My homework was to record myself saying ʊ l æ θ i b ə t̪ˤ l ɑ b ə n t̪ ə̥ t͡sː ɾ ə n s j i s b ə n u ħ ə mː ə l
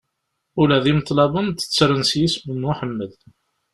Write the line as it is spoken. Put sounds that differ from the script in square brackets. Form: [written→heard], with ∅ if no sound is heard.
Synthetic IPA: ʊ l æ [θ→ð] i [b→m] ə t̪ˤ l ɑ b ə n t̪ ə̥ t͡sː ɾ ə n s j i s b ə n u ħ ə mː ə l